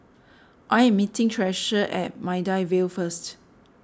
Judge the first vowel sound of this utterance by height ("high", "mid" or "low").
low